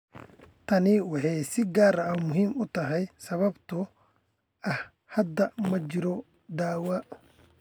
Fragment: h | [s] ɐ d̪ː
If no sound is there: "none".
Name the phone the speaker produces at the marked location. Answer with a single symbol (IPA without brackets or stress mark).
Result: h